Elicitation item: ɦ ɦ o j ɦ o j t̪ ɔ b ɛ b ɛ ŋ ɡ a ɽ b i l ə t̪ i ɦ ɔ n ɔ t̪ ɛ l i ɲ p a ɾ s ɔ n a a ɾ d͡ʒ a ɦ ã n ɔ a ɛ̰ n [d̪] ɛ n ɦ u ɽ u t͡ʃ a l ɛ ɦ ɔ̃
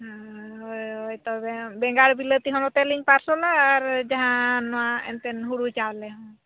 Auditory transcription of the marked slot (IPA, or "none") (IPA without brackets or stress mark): t̪